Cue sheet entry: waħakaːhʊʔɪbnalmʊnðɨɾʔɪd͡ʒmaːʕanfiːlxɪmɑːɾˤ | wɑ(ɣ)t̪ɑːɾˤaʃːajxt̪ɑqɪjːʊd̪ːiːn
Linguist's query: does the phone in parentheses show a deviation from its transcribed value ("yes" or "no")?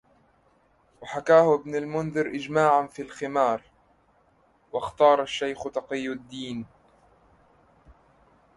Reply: yes